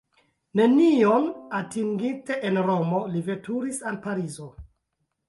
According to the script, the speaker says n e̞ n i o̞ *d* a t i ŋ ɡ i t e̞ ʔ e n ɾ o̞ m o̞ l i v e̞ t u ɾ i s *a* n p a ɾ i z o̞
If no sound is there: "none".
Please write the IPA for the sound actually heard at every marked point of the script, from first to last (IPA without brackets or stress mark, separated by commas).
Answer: n, a